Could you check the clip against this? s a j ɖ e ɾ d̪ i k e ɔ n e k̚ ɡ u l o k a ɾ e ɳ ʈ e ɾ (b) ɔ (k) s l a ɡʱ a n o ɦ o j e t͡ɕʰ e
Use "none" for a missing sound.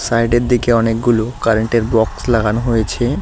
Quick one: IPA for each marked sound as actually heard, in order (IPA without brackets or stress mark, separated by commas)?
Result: b, k